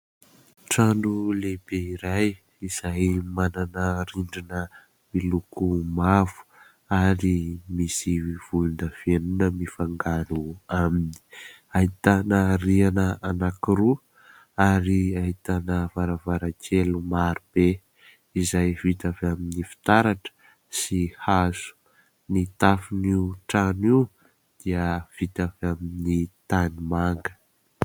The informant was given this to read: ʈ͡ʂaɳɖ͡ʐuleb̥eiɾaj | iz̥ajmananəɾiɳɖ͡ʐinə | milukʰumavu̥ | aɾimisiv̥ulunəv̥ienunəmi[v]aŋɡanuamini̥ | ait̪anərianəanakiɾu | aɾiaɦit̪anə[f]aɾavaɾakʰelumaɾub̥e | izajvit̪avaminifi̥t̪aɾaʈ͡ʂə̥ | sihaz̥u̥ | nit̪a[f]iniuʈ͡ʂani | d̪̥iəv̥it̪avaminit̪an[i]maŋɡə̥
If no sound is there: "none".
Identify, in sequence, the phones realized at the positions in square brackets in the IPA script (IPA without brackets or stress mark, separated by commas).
f, v, f, i